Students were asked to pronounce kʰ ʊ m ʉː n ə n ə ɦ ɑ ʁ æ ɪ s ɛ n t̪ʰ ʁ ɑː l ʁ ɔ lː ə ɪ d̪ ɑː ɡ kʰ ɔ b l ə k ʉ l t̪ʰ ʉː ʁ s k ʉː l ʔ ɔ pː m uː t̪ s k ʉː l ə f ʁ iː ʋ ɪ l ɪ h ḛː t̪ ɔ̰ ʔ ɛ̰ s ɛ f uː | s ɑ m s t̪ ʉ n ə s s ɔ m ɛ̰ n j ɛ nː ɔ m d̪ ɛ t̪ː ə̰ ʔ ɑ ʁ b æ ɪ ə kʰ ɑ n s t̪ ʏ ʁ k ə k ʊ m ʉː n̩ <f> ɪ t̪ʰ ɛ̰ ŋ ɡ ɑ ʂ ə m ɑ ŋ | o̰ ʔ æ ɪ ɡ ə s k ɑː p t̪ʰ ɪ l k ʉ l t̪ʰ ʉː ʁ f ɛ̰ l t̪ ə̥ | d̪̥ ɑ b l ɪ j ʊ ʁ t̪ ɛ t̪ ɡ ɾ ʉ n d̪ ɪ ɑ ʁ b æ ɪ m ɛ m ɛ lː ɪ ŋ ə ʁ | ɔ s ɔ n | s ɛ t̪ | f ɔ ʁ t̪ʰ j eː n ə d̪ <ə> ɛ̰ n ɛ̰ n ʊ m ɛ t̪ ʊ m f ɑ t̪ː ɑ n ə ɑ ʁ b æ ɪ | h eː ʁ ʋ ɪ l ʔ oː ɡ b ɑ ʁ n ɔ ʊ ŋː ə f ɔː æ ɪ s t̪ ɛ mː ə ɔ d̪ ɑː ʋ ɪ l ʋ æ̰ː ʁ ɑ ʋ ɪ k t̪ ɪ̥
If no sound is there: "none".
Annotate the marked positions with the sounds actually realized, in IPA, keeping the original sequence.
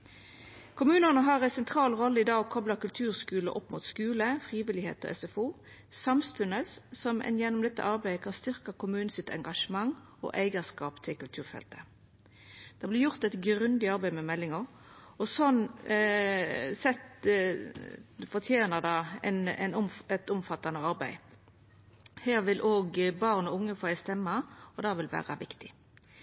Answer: s, ɑ

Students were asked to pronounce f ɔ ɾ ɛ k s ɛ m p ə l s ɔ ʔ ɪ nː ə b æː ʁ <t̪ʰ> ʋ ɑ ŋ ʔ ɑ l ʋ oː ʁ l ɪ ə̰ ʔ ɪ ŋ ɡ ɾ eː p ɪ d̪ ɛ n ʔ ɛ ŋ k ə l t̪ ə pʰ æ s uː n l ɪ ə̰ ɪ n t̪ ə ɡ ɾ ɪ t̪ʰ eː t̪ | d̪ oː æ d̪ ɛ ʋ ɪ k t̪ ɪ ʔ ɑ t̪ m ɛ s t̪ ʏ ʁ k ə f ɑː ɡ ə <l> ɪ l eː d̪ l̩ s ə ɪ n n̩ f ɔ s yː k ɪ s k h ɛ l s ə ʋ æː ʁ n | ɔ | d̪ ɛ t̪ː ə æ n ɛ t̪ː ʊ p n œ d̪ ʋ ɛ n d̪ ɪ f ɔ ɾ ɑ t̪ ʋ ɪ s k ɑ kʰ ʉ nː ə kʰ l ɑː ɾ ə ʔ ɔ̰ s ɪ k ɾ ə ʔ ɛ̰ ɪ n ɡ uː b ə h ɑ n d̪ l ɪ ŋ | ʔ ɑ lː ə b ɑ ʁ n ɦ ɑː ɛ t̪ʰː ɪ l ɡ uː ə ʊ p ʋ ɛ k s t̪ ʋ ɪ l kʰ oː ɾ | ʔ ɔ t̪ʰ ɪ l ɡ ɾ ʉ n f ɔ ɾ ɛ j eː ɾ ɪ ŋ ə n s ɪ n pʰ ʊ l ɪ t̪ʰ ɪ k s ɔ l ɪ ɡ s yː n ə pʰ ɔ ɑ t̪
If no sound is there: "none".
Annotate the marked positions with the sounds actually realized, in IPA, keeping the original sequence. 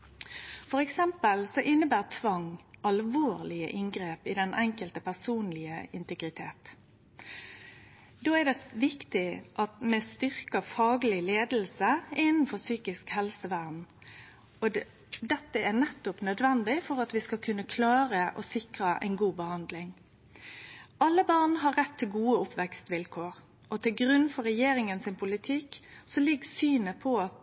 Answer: t̪ʰ, l

